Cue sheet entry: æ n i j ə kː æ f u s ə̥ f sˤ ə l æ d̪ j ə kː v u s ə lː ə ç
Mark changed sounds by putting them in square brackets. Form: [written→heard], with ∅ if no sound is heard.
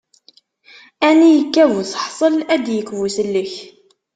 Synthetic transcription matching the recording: æ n i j ə kː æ [f→v] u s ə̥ [f→ħ] sˤ ə l æ d̪ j ə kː v u s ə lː ə ç